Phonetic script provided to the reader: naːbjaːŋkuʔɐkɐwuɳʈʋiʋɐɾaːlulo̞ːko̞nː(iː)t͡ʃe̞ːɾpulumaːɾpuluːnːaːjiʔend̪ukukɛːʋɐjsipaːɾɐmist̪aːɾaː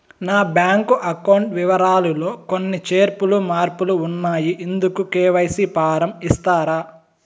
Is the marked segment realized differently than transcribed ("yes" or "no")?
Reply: yes